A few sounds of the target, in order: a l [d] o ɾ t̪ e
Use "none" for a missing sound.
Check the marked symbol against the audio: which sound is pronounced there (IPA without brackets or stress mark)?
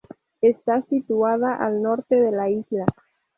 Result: n